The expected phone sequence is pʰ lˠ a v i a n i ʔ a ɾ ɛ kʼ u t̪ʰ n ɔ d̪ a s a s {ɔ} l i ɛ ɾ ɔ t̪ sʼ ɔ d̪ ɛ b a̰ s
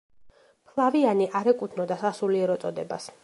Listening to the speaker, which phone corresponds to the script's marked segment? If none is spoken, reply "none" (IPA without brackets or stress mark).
u